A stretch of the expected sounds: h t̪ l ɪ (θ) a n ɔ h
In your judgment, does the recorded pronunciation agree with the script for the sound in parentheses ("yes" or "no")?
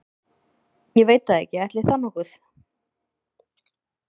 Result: yes